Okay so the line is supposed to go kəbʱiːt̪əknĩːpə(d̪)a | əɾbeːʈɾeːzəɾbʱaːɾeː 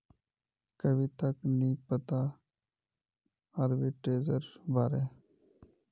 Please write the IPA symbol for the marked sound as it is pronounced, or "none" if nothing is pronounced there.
t̪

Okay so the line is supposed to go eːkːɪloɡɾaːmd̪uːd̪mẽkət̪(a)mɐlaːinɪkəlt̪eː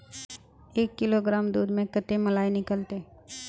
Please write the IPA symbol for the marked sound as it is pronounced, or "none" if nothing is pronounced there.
e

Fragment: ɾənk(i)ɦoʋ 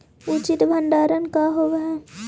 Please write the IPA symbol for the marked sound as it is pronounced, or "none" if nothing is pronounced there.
a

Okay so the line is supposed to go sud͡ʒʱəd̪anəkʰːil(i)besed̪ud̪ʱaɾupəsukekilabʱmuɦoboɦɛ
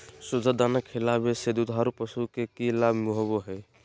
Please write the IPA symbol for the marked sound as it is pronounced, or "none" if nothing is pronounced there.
a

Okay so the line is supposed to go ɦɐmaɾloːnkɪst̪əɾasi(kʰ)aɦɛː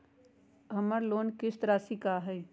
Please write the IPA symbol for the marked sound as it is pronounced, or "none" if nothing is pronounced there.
k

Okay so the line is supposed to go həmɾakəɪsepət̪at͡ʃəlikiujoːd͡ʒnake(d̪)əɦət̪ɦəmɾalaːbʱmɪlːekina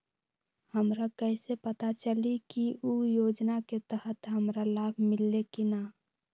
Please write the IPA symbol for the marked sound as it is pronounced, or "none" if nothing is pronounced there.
t̪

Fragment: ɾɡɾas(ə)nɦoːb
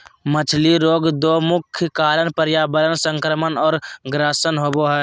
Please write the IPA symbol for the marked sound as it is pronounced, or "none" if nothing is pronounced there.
ə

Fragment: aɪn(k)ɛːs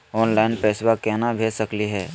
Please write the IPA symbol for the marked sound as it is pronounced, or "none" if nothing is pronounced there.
p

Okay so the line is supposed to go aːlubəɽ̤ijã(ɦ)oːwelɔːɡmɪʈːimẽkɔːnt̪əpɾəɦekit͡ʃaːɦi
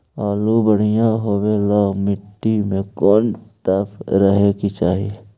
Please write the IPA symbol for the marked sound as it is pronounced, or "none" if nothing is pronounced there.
ɦ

